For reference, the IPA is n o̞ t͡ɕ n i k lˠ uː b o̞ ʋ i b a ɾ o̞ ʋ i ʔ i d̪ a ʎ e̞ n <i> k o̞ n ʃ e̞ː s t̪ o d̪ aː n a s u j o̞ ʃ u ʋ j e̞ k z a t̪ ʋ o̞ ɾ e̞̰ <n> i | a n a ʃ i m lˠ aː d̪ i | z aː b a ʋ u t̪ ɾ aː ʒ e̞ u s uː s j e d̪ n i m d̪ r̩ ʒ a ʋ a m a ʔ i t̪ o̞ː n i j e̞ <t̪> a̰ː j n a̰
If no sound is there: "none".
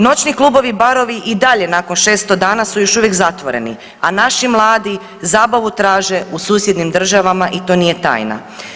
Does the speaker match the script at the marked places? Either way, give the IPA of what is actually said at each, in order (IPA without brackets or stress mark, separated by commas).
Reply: a, n, t̪